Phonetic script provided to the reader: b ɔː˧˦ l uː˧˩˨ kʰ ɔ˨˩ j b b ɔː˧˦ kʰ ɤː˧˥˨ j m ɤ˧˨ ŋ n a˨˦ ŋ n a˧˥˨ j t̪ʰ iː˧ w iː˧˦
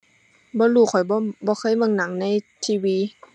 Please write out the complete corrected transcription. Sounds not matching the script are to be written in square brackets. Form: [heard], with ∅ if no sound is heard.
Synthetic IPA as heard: b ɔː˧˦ l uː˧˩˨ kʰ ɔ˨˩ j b b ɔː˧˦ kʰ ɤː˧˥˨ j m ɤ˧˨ ŋ n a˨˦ ŋ n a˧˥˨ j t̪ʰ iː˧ w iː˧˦